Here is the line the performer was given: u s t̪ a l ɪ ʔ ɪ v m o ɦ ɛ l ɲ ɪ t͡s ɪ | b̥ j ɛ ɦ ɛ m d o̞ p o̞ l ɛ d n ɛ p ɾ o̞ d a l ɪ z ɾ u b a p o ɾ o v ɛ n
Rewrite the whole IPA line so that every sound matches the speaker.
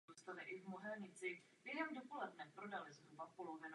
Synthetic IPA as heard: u s t̪ a l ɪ ʔ ɪ v m o ɦ ɛ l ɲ ɪ t͡s ɪ | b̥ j ɛ ɦ ɛ m d o̞ p o̞ l ɛ d n ɛ p ɾ o̞ d a l ɪ z ɾ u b a p o l o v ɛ n